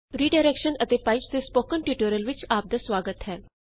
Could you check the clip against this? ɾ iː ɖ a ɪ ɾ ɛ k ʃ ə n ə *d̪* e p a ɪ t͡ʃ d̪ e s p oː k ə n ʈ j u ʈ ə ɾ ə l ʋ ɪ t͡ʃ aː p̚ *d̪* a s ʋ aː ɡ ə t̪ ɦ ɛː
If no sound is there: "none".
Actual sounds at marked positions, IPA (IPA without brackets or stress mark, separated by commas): t̪, d̪